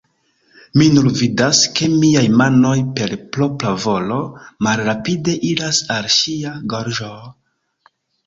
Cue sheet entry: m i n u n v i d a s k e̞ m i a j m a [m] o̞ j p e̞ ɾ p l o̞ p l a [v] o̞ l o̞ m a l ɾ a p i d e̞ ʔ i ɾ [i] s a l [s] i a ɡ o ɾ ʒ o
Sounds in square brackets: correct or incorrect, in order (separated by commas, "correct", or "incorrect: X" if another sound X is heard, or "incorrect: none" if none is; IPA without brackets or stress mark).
incorrect: n, correct, incorrect: a, incorrect: ʃ